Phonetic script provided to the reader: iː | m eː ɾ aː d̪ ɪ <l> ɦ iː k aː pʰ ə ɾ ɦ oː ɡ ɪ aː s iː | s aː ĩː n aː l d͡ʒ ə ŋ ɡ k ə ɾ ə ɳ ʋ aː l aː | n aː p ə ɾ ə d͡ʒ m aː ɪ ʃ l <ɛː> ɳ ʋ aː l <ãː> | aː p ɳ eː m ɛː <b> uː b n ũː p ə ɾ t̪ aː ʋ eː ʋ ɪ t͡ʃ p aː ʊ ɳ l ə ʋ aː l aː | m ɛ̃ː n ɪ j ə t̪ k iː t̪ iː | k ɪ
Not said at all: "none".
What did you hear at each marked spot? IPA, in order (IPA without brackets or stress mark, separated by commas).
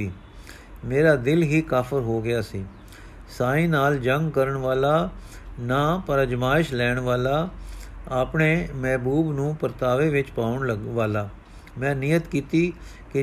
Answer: l, ɛː, aː, b